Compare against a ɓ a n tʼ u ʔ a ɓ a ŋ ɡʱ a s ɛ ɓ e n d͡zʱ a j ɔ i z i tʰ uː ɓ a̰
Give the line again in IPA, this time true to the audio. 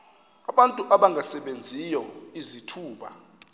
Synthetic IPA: a ɓ a n tʼ u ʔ a ɓ a ŋ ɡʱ a s ɛ ɓ e n d͡zʱ i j ɔ i z i tʰ uː ɓ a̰